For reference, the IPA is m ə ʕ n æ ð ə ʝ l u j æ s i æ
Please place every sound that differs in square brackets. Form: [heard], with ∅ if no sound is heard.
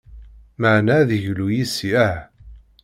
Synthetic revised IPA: m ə ʕ n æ ð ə ʝ l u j [i] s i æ